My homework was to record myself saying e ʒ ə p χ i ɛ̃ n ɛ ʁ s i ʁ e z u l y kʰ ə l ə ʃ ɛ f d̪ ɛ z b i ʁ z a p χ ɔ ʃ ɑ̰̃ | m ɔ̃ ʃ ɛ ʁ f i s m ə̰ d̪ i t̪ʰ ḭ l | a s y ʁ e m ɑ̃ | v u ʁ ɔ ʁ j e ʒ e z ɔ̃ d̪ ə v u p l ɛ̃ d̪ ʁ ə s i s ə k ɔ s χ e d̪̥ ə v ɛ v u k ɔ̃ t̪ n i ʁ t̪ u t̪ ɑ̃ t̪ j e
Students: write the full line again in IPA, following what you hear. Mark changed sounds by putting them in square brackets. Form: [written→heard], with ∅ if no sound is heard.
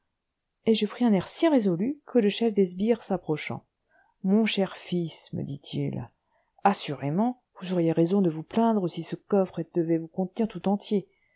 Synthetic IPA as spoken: e ʒ ə p χ i ɛ̃ n ɛ ʁ s i ʁ e z [u→ɔ] l y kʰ ə l ə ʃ ɛ f d̪ ɛ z b i ʁ [z→s] a p χ ɔ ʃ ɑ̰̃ | m ɔ̃ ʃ ɛ ʁ f i s m ə̰ d̪ i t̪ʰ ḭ l | a s y ʁ e m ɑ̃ | v u [ʁ→z] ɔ ʁ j e [ʒ→ʁ] e z ɔ̃ d̪ ə v u p l ɛ̃ d̪ ʁ ə s i s ə k ɔ [s→f] χ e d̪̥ ə v ɛ v u k ɔ̃ t̪ n i ʁ t̪ u t̪ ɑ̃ t̪ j e